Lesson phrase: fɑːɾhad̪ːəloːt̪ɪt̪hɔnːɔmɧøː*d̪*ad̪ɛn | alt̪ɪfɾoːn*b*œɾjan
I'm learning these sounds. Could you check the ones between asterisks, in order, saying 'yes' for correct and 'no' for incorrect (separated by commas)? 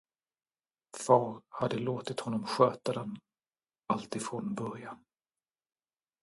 no, yes